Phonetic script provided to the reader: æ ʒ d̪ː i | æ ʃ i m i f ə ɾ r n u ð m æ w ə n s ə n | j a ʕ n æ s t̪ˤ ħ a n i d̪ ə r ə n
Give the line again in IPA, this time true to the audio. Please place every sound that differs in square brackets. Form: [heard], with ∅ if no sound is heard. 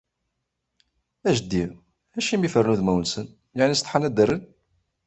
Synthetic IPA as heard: æ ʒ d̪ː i | æ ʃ i m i f ə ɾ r n u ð m æ w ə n s ə n | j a ʕ n [i] s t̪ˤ ħ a n [æ] d̪ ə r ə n